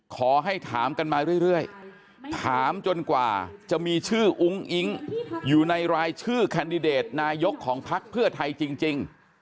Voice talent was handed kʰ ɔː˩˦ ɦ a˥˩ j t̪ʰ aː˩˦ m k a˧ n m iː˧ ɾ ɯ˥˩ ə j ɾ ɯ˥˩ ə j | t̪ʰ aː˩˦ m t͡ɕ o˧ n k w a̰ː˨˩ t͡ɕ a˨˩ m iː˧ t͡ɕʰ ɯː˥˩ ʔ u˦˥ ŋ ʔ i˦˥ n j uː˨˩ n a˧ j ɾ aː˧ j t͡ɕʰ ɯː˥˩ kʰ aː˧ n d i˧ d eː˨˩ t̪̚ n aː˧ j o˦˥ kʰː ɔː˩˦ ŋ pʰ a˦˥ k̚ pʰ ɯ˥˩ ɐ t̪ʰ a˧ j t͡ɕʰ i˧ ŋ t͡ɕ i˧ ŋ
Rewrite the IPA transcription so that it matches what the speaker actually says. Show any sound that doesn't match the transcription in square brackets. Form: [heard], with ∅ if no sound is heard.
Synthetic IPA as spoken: kʰ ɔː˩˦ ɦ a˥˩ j t̪ʰ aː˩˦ m k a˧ n m [aː˧] ɾ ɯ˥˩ ə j ɾ ɯ˥˩ ə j | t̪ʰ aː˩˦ m t͡ɕ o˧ n k w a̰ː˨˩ t͡ɕ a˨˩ m iː˧ t͡ɕʰ ɯː˥˩ ʔ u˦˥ ŋ ʔ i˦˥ [ŋ] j uː˨˩ n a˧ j ɾ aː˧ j t͡ɕʰ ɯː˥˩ kʰ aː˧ n d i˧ d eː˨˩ t̪̚ n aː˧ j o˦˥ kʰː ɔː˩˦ ŋ pʰ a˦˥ k̚ pʰ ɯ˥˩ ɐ t̪ʰ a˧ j [t͡ɕ] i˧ ŋ t͡ɕ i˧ ŋ